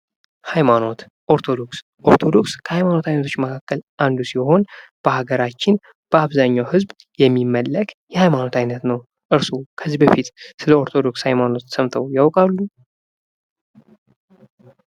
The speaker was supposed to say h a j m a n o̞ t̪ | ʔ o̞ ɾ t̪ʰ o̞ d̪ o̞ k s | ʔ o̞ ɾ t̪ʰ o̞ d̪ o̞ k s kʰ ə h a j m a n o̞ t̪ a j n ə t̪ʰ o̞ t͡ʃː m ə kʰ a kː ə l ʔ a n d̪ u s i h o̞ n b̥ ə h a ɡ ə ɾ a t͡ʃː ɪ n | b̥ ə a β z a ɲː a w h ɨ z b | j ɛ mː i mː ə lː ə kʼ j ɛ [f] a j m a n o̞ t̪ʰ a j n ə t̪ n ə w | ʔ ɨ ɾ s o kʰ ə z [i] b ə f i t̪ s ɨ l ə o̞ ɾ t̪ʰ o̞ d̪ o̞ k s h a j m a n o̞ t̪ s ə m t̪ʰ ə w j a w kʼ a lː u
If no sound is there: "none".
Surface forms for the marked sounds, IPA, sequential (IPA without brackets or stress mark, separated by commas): h, i